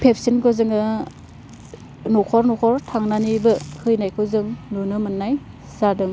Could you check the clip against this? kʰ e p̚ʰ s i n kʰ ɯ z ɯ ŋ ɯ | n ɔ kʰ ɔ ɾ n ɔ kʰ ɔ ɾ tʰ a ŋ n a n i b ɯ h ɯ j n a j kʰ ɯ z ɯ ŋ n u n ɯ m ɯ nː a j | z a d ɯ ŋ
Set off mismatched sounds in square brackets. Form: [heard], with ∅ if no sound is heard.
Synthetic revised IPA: [pʰ] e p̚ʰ s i n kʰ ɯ z ɯ ŋ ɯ | n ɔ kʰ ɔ ɾ n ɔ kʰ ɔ ɾ tʰ a ŋ n a n i b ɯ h ɯ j n a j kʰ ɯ z ɯ ŋ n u n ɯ m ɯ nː a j | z a d ɯ ŋ

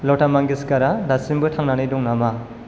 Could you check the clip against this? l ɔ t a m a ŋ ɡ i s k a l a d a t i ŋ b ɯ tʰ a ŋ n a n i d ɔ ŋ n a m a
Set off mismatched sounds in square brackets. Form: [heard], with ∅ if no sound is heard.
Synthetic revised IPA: l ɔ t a m a ŋ ɡ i s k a [ɾ] a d a [s] i [m] b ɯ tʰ a ŋ n a n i d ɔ ŋ n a m a

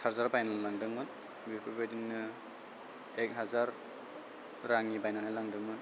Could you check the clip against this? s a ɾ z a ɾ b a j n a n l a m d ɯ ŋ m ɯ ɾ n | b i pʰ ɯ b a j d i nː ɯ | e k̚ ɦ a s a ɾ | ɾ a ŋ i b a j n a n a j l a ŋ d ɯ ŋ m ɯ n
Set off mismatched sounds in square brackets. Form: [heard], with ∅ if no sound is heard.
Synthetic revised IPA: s a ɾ z a ɾ b a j n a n l a [ŋ] d ɯ ŋ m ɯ [∅] n | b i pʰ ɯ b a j d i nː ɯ | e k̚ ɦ a [z] a ɾ | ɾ a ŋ i b a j n a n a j l a ŋ d ɯ ŋ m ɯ n

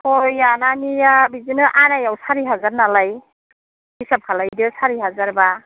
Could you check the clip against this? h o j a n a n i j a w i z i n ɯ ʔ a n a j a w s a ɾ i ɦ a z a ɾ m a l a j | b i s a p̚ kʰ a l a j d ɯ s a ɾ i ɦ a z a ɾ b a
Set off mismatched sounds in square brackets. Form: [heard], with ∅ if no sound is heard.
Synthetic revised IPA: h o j a n a n i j a [b] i z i n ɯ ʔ a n a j a w s a ɾ i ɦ a z a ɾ [n] a l a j | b i s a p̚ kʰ a l a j d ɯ s a ɾ i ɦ a z a ɾ b a

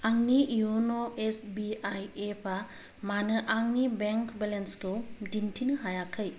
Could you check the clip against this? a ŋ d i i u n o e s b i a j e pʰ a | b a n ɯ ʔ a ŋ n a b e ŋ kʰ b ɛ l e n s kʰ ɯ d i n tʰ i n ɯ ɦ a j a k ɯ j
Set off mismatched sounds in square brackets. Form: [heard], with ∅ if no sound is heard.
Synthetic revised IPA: a ŋ [n] i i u n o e s b i a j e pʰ a | [m] a n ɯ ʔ a ŋ n [i] b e ŋ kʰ b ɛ l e n s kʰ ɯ d i n tʰ i n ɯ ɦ a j a [kʰ] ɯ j

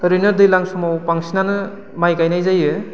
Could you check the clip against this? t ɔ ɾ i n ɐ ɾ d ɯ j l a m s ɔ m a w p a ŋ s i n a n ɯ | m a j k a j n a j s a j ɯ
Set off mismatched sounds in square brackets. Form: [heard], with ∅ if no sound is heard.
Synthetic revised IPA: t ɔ ɾ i n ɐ ɾ d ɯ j l a [ŋ] s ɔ m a w p a ŋ s i n a n ɯ | m a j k a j n a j [z] a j ɯ

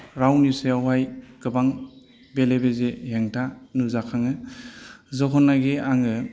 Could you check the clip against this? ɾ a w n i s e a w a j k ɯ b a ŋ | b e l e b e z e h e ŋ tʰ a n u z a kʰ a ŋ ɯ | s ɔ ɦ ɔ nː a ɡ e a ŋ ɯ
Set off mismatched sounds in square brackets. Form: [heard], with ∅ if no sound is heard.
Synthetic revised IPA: ɾ a w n i s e a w a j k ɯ b a ŋ | b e l e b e z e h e ŋ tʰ a n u z a kʰ a ŋ ɯ | [z] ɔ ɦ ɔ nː a ɡ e a ŋ ɯ

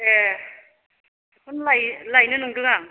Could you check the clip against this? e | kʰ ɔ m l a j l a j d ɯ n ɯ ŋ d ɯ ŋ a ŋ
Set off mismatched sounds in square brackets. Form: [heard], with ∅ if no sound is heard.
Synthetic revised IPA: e | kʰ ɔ [n] l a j l a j [n] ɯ n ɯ ŋ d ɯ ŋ a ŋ

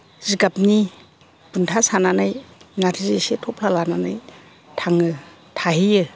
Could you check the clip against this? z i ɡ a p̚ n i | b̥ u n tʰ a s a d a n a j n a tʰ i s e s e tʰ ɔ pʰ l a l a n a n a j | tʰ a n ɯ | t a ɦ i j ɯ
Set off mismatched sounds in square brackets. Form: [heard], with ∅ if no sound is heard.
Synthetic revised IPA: z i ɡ a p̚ n i | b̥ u n tʰ a s a [n] a n a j n a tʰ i [z] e s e tʰ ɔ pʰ l a l a n a n a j | tʰ a [ŋ] ɯ | [tʰ] a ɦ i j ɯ

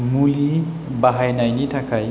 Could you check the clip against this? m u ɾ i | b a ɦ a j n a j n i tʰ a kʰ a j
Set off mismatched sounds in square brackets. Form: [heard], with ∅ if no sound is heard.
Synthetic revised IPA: m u [l] i | b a ɦ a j n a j n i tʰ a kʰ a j

